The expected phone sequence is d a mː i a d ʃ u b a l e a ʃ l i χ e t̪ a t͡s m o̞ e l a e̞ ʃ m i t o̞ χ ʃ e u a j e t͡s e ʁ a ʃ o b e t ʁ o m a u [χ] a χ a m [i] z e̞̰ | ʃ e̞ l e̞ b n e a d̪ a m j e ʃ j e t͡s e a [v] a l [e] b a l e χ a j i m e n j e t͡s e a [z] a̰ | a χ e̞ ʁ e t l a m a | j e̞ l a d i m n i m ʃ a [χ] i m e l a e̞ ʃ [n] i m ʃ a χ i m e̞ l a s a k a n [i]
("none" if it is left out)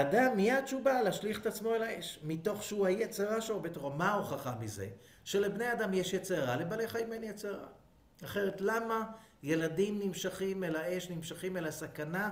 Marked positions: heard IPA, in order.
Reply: χ, i, ʁ, e, ʁ, χ, n, a

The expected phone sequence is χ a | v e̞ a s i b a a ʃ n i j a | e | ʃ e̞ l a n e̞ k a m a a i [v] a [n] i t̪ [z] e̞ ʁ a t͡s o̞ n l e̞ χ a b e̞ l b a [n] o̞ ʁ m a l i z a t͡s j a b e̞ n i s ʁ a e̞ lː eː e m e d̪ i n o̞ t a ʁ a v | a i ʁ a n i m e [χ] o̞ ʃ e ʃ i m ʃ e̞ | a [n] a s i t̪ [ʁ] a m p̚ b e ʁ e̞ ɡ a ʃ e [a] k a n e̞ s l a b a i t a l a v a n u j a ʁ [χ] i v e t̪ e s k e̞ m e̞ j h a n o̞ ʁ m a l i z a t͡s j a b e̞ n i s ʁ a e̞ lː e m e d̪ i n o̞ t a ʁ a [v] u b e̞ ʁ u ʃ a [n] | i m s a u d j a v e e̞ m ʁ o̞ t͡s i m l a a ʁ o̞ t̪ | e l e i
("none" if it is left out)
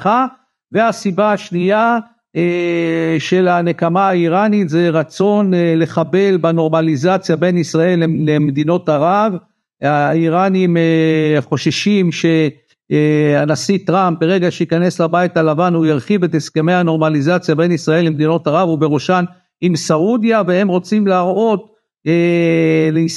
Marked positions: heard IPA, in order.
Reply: ʁ, n, z, n, χ, n, ʁ, i, χ, v, n

